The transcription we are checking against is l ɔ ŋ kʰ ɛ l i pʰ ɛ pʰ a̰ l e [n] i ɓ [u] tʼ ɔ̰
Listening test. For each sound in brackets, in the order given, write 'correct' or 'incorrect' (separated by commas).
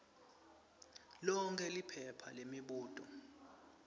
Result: incorrect, incorrect